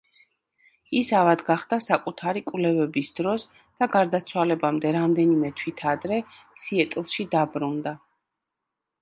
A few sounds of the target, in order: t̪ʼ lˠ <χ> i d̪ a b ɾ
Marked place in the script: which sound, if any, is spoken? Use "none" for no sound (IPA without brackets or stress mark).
ʃ